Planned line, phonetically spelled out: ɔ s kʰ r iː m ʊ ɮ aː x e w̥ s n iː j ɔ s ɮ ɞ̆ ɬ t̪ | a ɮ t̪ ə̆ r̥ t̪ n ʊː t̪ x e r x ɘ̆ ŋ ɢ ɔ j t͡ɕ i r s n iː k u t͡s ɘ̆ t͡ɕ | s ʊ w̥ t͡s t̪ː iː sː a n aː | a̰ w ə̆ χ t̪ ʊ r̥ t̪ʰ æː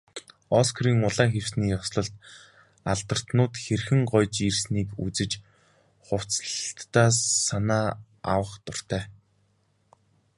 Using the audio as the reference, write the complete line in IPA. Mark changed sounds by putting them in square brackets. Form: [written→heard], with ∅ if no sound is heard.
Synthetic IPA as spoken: ɔ s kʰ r iː [m→ŋ] ʊ ɮ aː x e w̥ s n iː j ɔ s ɮ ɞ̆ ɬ t̪ | a ɮ t̪ ə̆ r̥ t̪ n ʊː t̪ x e r x ɘ̆ ŋ ɢ ɔ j t͡ɕ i r s n iː k u t͡s ɘ̆ t͡ɕ | [s→χ] ʊ w̥ t͡s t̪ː [iː→aː] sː a n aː | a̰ w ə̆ χ t̪ ʊ r̥ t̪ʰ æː